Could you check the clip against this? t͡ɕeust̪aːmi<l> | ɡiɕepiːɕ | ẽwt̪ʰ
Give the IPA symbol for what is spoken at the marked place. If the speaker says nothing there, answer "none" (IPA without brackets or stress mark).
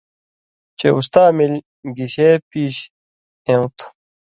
l